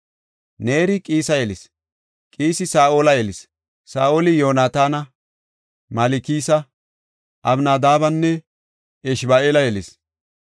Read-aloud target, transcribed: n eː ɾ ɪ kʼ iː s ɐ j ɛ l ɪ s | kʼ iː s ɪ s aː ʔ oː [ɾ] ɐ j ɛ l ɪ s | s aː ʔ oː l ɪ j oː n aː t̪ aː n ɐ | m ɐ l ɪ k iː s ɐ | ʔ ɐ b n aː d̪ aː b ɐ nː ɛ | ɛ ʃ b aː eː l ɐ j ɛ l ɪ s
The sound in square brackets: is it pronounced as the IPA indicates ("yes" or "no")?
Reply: no